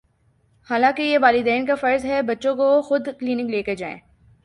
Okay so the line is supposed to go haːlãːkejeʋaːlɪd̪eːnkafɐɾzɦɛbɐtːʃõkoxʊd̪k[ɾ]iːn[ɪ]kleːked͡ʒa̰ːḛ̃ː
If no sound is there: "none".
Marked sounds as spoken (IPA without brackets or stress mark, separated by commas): l, ɪ